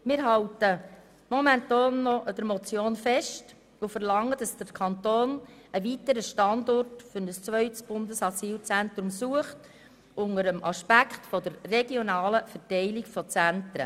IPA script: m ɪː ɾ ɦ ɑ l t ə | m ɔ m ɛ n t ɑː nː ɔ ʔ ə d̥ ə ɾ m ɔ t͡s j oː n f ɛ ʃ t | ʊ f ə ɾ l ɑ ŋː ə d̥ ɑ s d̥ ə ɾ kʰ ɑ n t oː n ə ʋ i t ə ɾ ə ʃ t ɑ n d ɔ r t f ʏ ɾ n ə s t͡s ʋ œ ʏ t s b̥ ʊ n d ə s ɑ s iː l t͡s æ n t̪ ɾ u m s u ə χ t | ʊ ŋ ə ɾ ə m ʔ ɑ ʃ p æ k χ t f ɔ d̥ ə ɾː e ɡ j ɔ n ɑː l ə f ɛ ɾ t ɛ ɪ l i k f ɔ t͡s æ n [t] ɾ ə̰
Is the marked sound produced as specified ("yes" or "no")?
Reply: yes